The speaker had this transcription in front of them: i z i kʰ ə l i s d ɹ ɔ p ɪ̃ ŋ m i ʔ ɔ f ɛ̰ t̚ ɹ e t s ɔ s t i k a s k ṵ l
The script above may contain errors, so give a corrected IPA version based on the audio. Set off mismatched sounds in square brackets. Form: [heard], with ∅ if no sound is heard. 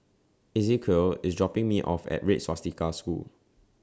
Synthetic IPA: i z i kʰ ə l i s d ɹ ɔ p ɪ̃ ŋ m i ʔ ɔ f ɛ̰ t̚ ɹ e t s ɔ s t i k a s k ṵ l